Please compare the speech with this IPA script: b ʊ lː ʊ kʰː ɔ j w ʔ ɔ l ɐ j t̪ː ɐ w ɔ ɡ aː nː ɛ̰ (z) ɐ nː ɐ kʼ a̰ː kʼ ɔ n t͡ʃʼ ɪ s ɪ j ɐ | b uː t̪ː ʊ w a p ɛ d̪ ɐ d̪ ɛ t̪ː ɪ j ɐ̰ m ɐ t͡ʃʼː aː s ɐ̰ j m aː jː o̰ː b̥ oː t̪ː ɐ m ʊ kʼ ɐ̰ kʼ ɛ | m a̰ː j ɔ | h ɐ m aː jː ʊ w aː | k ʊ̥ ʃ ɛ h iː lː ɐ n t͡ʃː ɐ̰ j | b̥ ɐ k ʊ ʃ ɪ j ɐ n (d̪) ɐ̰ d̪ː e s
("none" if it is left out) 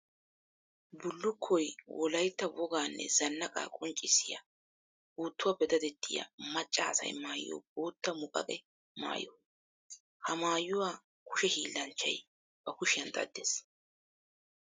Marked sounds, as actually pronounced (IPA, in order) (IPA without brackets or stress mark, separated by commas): z, d̪